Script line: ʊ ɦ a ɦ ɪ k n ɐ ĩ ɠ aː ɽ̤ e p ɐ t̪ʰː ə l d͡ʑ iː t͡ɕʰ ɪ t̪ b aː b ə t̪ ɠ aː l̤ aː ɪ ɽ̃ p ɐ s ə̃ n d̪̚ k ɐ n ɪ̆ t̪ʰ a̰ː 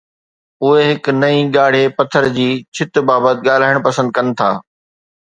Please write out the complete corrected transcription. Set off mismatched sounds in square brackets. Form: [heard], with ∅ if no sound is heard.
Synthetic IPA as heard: ʊ ɦ [e] ɦ ɪ k n ɐ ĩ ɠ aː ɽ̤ e p ɐ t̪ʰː ə [ɾ] d͡ʑ iː t͡ɕʰ ɪ t̪ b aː b ə t̪ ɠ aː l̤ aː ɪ ɽ̃ p ɐ s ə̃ n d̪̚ k ɐ n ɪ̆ t̪ʰ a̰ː